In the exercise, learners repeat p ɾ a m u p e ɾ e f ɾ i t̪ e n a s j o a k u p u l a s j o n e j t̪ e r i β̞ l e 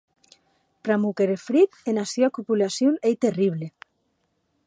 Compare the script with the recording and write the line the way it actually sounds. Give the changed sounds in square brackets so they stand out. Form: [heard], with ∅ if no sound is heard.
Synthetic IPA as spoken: p ɾ a m u [k] e ɾ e f ɾ i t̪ e n a s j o a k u p u l a s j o n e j t̪ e r i β̞ l e